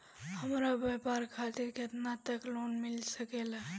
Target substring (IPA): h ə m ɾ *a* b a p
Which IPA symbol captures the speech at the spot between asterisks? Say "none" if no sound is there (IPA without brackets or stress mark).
a